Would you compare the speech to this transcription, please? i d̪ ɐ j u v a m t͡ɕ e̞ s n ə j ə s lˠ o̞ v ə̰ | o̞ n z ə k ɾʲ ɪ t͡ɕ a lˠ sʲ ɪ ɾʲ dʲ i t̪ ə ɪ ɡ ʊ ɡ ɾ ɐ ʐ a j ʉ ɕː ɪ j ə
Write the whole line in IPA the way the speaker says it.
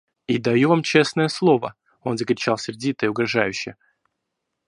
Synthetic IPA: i d̪ ɐ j u v a m t͡ɕ e̞ s n ə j ə s lˠ o̞ v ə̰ | o̞ n z ə k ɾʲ ɪ t͡ɕ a lˠ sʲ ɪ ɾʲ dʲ i t̪ ə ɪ ʊ ɡ ɾ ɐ ʐ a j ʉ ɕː ɪ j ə